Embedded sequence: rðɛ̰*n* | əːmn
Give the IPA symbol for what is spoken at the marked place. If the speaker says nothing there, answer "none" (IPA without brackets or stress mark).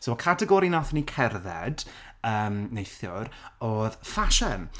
d